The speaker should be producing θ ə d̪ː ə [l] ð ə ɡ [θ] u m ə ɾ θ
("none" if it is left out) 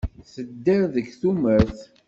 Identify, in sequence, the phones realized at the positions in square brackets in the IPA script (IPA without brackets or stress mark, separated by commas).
ɾ, θ